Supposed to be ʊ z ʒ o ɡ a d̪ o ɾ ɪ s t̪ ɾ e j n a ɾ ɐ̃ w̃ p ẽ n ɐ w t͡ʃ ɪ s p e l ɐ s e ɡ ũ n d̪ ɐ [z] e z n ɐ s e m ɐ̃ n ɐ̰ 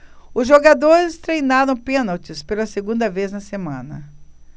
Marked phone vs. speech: incorrect: v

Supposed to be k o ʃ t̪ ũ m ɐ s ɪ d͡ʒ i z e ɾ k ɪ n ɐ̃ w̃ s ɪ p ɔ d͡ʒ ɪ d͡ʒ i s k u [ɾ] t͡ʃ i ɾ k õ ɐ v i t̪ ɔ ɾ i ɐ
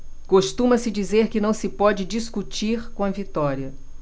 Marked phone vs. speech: incorrect: none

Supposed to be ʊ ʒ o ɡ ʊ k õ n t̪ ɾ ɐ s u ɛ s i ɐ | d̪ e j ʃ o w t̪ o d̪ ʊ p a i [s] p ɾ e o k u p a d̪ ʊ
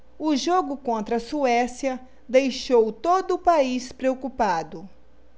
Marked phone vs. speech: correct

